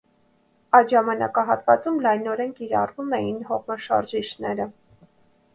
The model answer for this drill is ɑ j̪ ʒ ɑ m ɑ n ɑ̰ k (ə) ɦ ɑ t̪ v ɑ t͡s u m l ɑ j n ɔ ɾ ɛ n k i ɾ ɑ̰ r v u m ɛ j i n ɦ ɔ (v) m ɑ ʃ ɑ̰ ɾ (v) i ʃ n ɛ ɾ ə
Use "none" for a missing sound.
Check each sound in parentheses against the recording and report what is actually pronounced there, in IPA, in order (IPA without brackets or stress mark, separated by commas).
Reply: ɑ, ʁ, ʒ